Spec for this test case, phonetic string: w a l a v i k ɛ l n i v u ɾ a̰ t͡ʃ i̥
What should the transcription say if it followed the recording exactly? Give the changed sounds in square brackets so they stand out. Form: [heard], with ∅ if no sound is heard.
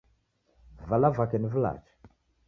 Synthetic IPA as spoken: [v] a l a v [a] k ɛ [∅] n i v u [l] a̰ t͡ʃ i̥